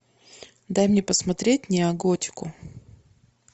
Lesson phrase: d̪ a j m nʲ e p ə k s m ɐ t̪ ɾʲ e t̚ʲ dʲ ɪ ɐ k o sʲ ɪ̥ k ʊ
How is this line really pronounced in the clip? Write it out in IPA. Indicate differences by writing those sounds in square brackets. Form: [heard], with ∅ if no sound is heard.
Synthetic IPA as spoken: d̪ a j m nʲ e p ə [∅] s m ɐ t̪ ɾʲ e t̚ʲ [nʲ] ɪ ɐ [ɡ] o [tʲ] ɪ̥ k ʊ